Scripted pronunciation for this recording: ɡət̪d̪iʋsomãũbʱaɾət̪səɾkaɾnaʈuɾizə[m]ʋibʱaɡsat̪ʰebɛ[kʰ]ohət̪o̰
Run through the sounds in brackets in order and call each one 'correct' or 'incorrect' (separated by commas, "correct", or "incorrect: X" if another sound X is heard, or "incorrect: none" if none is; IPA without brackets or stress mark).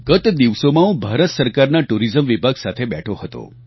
correct, incorrect: ʈʰ